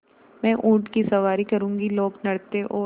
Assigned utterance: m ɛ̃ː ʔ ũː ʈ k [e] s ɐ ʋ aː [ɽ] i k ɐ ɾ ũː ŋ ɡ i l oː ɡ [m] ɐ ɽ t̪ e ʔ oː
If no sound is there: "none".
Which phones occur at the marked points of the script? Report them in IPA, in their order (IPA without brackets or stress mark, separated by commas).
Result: i, ɾ, n